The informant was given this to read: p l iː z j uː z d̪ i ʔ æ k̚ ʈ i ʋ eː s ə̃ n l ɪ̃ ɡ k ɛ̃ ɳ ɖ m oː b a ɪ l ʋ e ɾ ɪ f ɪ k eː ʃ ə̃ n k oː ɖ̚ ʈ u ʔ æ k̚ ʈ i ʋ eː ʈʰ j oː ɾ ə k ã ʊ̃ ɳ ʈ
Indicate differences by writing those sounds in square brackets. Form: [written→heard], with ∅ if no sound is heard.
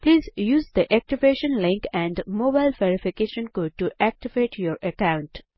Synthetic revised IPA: p l iː z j uː z d̪ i ʔ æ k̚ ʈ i ʋ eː [s→ʃ] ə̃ n l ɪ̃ [ɡ→ŋ] k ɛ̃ ɳ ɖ m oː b a ɪ l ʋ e ɾ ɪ f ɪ k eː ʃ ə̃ n k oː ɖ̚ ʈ u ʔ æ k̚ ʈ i ʋ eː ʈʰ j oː ɾ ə k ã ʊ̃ ɳ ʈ